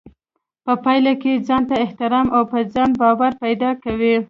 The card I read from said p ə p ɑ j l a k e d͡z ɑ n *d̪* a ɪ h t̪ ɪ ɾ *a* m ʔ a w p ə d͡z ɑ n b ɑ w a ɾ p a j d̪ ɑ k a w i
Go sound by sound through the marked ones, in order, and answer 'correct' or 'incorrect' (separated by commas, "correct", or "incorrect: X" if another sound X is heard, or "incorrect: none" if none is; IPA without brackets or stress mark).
incorrect: t̪, incorrect: ɑ